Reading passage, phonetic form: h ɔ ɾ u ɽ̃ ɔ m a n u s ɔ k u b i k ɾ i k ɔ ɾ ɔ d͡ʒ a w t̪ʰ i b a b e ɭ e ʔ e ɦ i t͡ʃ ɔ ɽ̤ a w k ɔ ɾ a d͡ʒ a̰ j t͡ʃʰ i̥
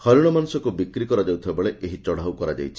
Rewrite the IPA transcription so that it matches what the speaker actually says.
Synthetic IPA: h ɔ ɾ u ɽ̃ ɔ m a n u s ɔ k u b i k ɾ i k ɔ ɾ ɔ d͡ʒ a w t̪ʰ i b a b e ɭ e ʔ e ɦ i t͡ʃ ɔ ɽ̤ a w k ɔ ɾ a d͡ʒ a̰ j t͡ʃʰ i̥